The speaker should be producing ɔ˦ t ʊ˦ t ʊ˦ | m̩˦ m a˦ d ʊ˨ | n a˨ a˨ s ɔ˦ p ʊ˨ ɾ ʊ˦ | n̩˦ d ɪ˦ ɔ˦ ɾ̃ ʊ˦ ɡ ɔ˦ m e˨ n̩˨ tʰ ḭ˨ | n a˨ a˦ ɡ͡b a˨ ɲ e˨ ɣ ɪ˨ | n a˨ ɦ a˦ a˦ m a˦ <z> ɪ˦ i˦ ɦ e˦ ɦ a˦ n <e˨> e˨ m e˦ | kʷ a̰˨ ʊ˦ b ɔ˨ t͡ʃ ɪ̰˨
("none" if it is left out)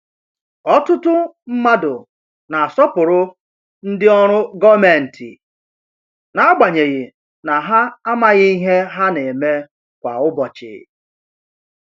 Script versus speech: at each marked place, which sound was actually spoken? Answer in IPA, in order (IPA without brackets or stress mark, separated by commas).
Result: ɣ, e˨